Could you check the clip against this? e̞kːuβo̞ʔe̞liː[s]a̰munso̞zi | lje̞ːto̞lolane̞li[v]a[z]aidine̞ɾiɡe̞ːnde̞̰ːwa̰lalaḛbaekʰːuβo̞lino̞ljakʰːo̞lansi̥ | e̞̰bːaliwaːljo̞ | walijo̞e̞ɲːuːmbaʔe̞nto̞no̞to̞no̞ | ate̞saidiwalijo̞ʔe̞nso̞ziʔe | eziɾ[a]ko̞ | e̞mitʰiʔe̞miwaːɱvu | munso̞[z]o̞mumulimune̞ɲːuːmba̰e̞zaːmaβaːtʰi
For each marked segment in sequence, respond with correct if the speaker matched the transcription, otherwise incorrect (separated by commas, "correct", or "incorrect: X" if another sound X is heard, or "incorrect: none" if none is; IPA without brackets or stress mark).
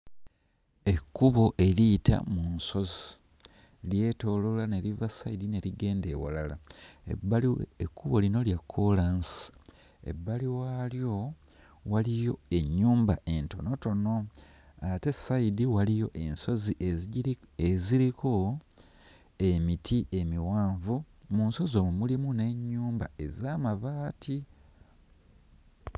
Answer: incorrect: t, correct, incorrect: s, incorrect: i, correct